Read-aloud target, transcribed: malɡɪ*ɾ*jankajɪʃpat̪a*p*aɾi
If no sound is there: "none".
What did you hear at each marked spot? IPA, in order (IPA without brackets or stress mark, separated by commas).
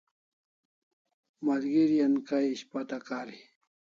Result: ɾ, k